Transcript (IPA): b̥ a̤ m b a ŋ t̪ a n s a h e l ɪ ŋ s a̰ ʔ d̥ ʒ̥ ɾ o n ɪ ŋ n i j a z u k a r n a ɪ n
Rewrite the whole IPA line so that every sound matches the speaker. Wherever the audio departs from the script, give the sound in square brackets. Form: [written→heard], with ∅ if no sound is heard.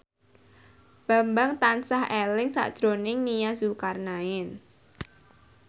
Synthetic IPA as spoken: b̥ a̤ m b a ŋ t̪ a n s a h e l ɪ ŋ s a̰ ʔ d̥ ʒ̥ ɾ o n ɪ ŋ n i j a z u k a r n a ɪ n